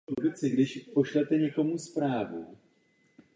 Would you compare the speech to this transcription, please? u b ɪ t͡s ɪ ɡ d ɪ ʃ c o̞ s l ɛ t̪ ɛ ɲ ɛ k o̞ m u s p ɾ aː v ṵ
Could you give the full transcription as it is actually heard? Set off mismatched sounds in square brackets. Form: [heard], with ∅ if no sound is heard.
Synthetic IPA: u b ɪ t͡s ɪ ɡ d ɪ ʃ [p] o̞ [ʃ] l ɛ t̪ ɛ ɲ ɛ k o̞ m u s p ɾ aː v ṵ